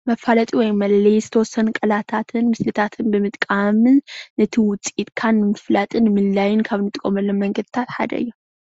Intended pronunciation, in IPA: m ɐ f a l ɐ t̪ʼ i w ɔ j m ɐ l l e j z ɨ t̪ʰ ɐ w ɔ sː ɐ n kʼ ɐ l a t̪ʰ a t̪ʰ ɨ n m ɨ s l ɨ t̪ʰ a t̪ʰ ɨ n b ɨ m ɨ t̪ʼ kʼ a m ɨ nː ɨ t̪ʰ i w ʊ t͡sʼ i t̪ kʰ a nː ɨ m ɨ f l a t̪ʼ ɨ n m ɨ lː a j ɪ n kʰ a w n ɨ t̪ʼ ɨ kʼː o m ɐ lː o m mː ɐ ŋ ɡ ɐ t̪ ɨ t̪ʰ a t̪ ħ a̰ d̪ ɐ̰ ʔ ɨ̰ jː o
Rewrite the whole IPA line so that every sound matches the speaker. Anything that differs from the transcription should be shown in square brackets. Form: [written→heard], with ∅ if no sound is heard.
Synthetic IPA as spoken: m ɐ f a l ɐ t̪ʼ i w ɔ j m ɐ l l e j z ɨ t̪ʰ ɐ w ɔ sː ɐ n kʼ ɐ l a t̪ʰ a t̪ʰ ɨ n m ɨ s l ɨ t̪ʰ a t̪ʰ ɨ n b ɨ m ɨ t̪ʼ kʼ a m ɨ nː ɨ t̪ʰ i w ʊ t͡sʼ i t̪ kʰ a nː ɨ m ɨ f l a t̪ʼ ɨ n m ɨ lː a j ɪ n kʰ a [w→β] n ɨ t̪ʼ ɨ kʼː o m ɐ lː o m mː ɐ ŋ ɡ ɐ [t̪→d̪] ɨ t̪ʰ a t̪ ħ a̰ d̪ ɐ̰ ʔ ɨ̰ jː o